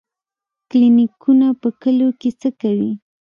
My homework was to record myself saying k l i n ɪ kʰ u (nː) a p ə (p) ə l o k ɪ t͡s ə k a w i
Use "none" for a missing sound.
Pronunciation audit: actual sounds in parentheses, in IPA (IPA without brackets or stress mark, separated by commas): n, k